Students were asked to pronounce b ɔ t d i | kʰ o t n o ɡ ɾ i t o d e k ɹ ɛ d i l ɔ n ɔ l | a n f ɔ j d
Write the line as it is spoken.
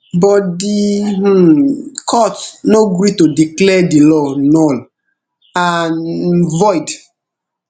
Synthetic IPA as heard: b ɔ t d i | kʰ ɔ t n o ɡ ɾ i t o d i k l ɛ d i l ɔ n ɔ l | a n v ɔ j d